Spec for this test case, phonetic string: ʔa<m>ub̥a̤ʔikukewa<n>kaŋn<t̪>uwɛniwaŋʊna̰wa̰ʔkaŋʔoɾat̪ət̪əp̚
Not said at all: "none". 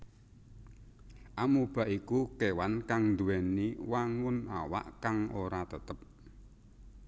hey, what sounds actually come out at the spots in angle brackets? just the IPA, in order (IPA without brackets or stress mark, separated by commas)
m, n, d̪